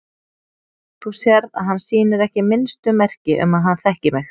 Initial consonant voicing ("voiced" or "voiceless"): voiceless